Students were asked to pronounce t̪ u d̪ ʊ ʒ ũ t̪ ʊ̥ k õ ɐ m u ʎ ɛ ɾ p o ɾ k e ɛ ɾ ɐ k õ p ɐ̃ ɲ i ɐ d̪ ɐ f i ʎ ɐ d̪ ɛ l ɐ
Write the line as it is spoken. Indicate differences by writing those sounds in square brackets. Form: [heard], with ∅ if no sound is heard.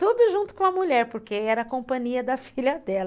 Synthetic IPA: t̪ u d̪ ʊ ʒ ũ t̪ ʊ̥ k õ ɐ m u ʎ ɛ ɾ p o ɾ k e ɛ ɾ ɐ k õ p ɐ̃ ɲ i ɐ d̪ ɐ f i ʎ ɐ d̪ ɛ l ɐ